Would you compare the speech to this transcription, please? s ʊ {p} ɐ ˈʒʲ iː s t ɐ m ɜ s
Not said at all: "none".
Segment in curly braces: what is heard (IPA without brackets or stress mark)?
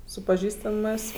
p